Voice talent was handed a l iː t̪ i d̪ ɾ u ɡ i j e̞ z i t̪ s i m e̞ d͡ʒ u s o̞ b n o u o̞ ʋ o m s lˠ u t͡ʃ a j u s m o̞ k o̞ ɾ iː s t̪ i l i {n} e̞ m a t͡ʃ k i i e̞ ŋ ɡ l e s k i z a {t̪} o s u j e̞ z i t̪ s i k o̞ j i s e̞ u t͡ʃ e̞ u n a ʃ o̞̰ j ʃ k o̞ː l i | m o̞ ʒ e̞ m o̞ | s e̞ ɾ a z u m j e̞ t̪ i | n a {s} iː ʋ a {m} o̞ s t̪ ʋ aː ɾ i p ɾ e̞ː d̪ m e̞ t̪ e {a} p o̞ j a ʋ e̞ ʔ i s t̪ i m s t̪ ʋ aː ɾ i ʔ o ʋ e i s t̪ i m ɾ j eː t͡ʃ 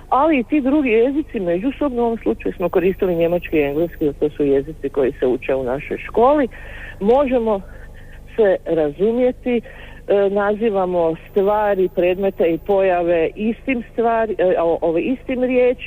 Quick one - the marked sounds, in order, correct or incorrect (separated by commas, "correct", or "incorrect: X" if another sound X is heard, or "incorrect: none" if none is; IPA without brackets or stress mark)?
incorrect: ɲ, correct, incorrect: z, correct, incorrect: i